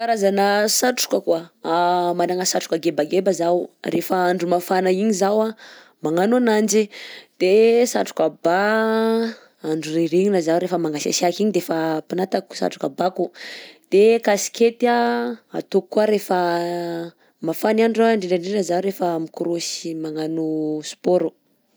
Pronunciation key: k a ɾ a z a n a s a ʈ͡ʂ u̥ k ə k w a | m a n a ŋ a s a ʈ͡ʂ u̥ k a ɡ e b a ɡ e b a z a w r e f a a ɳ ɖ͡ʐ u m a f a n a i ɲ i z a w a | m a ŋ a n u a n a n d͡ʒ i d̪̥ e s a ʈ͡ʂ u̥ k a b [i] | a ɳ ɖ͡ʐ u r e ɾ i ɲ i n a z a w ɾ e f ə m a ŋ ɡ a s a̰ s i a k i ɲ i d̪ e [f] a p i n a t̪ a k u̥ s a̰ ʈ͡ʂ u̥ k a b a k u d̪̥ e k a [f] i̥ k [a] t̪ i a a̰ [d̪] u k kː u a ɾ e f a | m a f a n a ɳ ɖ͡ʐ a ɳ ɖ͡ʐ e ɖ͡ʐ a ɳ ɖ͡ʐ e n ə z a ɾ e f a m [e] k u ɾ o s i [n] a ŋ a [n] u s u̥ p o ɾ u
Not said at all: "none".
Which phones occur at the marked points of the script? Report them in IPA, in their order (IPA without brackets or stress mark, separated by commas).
a, f, s, e, t̪, i, m, n